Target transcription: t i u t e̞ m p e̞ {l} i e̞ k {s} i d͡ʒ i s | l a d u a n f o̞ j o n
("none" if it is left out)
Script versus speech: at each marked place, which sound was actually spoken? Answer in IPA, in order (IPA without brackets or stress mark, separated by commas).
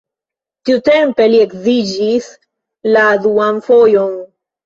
l, z